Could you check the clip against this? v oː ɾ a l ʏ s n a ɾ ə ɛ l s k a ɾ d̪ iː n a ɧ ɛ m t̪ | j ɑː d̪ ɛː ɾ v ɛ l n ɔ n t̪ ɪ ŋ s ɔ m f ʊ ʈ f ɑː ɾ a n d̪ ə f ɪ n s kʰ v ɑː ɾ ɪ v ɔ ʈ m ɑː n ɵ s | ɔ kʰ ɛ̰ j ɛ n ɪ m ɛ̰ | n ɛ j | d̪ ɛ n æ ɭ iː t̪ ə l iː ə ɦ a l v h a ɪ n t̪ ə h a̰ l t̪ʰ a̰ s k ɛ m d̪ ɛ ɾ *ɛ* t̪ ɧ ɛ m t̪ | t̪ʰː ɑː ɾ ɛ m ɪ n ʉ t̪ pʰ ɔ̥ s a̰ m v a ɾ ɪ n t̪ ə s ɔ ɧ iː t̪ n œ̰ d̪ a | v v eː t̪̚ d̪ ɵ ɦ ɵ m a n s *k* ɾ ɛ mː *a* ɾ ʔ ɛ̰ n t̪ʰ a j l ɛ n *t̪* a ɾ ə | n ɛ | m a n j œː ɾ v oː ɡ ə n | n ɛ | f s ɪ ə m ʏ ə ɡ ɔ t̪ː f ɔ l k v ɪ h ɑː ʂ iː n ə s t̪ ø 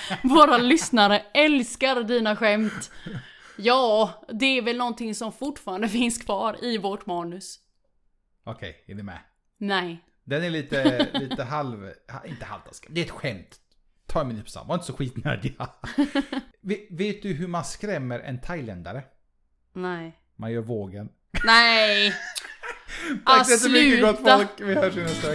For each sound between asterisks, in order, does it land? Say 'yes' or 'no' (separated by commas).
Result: yes, yes, no, no